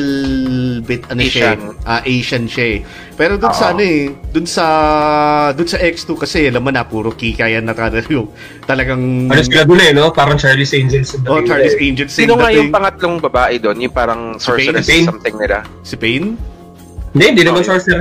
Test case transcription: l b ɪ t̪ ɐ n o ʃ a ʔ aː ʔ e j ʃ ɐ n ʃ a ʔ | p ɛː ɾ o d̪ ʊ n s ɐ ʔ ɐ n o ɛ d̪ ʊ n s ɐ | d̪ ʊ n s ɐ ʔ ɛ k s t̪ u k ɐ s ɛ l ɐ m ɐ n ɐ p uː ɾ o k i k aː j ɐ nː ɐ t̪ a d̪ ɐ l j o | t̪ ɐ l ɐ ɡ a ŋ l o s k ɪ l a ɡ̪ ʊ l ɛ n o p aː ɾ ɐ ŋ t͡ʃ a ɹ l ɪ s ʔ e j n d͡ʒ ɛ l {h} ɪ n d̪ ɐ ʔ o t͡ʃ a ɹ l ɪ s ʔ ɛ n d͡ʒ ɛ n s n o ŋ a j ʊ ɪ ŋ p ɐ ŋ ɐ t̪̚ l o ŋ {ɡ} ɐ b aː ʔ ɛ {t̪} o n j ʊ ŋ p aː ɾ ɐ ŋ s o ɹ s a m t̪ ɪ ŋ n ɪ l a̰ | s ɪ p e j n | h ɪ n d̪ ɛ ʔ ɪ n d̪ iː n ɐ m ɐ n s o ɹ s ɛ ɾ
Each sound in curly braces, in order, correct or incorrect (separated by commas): incorrect, incorrect, incorrect